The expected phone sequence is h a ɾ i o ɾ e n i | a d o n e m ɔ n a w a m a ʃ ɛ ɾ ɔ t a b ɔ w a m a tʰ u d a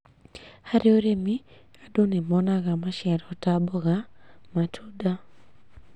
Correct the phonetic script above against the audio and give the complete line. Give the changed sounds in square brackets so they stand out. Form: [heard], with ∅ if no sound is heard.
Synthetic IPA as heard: h a ɾ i o ɾ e [m] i | a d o n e m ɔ n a [ɣ] a m a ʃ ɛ ɾ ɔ t a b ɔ [ɣ] a m a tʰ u d a